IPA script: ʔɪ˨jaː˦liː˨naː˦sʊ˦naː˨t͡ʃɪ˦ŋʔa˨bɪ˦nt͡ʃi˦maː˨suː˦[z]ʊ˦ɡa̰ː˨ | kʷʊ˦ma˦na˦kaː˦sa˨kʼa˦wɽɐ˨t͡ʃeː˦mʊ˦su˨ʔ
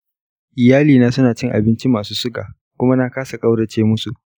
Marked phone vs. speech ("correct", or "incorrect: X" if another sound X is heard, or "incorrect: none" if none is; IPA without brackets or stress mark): incorrect: s